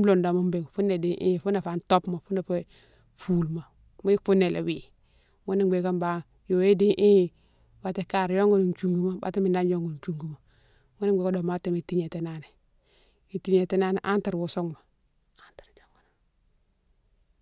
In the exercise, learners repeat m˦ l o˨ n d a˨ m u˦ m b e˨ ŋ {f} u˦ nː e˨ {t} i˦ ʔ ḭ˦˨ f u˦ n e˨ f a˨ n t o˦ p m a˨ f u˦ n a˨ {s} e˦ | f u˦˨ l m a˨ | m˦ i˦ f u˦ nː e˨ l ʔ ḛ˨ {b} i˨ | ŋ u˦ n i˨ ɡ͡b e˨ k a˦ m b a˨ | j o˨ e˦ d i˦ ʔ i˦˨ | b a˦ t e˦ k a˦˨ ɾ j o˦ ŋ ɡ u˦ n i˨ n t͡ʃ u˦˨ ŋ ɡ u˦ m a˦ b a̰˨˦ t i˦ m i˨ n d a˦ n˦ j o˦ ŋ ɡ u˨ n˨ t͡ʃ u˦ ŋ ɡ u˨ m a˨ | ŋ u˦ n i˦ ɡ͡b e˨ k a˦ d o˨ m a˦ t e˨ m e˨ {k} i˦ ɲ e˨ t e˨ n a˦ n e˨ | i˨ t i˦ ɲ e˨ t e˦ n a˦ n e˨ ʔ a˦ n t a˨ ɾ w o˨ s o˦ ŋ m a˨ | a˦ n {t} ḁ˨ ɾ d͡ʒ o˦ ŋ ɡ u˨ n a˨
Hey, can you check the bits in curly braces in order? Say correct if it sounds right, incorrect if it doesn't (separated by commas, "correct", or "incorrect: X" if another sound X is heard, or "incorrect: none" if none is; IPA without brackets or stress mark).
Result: correct, incorrect: d, incorrect: f, incorrect: w, incorrect: t, correct